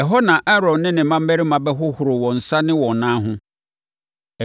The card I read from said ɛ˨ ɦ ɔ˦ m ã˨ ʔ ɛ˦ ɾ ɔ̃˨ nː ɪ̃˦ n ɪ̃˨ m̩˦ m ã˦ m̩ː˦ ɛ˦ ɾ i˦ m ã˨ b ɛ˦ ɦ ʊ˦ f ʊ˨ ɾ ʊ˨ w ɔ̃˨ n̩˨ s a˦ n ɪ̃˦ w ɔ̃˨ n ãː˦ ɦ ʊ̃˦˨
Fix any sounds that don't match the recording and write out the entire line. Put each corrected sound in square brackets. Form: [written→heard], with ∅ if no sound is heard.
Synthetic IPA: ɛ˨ ɦ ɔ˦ [m→n] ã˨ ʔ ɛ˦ ɾ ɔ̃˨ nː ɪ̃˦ n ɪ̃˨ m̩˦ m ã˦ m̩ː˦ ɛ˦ ɾ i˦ m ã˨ b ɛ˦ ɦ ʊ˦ [f→h] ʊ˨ ɾ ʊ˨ w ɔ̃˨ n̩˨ s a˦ n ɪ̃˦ w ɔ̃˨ n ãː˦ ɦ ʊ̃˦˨

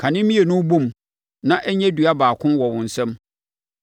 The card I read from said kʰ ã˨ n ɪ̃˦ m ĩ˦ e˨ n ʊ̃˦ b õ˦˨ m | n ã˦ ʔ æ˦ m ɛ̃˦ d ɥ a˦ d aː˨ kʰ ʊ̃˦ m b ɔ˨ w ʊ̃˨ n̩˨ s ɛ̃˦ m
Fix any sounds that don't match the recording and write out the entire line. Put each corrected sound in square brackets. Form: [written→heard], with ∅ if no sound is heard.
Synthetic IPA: kʰ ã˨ n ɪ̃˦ m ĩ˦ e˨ n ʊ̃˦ b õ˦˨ m | n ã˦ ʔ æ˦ [m→ɲ] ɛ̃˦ d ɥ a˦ [d→b] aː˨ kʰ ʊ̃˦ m [b→w] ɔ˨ w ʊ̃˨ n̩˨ s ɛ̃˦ m

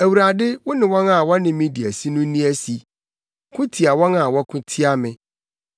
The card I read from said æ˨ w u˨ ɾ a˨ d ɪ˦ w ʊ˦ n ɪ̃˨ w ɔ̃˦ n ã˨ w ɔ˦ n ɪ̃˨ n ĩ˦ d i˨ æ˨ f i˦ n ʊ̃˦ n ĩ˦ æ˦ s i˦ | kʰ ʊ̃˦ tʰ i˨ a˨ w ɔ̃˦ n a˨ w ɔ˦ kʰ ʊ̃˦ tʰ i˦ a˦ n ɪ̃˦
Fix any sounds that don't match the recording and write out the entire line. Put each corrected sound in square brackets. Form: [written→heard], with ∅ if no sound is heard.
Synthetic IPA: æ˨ w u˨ ɾ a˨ d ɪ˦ w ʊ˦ n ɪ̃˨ w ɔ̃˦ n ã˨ w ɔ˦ n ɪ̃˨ [n→m] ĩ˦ d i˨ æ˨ [f→s] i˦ n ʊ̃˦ n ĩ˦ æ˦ s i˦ | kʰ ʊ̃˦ tʰ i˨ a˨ w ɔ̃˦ n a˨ w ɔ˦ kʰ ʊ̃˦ tʰ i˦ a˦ [n→m] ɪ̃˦

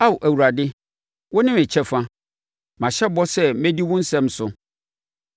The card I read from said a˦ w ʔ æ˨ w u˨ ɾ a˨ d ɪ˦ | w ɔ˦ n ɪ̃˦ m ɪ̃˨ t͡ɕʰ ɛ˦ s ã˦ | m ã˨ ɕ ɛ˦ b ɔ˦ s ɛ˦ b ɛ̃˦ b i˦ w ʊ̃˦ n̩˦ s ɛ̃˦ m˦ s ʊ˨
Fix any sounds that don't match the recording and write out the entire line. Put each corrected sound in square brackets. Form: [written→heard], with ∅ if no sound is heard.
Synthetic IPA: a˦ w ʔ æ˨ w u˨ ɾ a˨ d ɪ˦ | w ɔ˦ n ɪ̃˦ m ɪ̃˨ t͡ɕʰ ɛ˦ [s→f] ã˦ | m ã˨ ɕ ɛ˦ b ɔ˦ s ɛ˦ [b→m] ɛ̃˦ [b→d] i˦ w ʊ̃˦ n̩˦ s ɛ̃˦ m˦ s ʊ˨

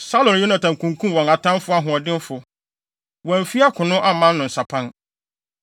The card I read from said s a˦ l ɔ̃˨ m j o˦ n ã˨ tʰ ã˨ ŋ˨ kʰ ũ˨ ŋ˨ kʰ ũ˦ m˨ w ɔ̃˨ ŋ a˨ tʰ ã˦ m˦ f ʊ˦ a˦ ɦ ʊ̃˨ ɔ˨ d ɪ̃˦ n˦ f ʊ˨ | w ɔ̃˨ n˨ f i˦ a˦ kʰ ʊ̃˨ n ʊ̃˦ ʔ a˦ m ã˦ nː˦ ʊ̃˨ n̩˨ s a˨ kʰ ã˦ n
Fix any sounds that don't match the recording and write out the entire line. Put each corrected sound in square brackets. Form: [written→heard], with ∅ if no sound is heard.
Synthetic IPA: s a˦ l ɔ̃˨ [m→n] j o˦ n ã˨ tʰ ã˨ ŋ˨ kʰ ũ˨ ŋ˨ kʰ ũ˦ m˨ w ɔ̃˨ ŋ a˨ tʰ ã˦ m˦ f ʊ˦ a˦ ɦ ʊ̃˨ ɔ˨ d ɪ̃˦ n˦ f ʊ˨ | w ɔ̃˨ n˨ f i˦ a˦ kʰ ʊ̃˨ n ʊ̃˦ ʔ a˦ m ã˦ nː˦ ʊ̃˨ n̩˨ s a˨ [kʰ→pʰ] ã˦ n

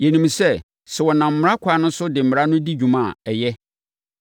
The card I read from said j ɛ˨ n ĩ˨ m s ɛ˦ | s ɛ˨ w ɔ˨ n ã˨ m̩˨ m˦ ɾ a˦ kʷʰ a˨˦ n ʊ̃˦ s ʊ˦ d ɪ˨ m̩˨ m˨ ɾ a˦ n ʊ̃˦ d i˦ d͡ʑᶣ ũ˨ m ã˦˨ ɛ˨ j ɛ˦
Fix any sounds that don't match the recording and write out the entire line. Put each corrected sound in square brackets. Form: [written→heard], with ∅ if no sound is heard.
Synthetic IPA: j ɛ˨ n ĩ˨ m s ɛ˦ | s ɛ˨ w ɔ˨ n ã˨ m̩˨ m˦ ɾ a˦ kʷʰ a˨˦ n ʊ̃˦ s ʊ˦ d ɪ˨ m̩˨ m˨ ɾ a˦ n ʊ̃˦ d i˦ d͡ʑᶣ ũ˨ m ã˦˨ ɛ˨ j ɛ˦

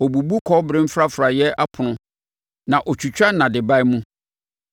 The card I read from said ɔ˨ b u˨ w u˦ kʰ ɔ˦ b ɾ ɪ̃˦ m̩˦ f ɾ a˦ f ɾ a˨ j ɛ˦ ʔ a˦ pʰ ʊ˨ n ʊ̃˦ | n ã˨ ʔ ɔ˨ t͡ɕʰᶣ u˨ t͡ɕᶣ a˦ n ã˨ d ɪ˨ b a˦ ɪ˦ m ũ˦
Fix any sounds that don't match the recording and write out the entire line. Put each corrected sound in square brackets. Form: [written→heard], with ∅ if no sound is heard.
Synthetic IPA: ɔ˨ b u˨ [w→b] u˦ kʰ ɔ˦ b ɾ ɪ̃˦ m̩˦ f ɾ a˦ f ɾ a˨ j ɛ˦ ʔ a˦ pʰ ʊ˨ n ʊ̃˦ | n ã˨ ʔ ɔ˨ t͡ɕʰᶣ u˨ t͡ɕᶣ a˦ n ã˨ d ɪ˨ b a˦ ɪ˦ m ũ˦

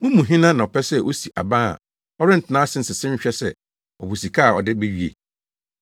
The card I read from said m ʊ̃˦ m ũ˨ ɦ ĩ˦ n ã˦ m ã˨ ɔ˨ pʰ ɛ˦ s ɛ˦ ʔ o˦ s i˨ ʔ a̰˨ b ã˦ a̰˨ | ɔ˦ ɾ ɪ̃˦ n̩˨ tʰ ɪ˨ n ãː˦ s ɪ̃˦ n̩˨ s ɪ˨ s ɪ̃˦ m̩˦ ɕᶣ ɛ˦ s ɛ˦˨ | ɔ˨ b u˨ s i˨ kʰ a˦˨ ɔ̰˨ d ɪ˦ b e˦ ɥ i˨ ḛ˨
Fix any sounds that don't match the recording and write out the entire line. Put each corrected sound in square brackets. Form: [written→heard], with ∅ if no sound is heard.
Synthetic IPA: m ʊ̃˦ m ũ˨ ɦ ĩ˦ n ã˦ [m→n] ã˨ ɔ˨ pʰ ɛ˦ s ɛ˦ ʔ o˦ s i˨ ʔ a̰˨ b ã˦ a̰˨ | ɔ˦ ɾ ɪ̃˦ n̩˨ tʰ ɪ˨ n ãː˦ s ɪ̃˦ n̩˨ s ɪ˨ s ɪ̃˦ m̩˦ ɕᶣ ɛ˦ s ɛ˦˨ | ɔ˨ b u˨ s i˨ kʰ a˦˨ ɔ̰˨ d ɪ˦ b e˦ ɥ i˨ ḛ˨

